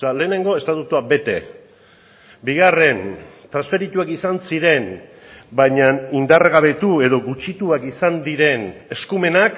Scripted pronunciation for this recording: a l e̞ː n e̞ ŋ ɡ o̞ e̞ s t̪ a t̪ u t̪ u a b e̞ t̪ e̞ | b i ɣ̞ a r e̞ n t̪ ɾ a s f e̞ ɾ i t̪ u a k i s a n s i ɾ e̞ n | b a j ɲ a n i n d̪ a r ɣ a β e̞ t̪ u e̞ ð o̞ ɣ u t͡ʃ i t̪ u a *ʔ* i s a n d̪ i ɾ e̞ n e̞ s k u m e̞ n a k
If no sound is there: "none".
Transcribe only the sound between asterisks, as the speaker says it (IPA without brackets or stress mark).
k